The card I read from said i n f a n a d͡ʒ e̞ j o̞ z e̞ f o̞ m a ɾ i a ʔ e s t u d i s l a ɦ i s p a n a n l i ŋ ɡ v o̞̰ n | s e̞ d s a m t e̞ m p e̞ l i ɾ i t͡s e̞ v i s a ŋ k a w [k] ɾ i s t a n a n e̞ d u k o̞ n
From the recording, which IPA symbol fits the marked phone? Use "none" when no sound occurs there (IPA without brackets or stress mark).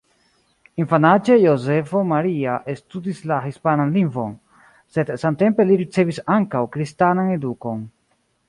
k